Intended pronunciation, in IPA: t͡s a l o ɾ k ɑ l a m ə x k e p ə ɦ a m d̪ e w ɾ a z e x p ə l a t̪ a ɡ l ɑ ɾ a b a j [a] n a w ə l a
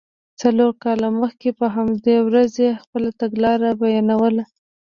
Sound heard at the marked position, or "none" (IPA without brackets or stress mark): ɑ